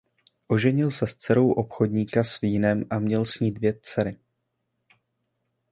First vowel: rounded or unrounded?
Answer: rounded